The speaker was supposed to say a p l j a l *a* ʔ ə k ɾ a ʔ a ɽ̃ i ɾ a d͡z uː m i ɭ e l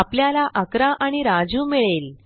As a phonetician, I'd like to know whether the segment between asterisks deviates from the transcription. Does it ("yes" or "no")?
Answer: no